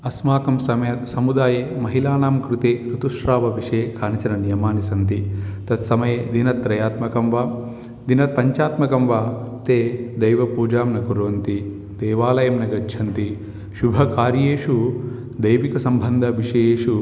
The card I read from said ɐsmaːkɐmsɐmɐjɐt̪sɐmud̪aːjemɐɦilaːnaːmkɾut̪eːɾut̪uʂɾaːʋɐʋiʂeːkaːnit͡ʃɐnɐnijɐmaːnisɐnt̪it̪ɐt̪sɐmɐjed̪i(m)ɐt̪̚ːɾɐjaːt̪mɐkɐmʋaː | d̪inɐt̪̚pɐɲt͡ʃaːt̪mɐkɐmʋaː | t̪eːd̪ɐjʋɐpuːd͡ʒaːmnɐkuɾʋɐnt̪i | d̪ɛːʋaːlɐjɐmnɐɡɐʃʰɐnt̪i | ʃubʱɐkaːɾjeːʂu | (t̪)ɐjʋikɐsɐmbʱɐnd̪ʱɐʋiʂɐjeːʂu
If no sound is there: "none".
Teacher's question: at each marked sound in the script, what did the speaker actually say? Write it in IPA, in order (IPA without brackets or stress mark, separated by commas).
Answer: n, d̪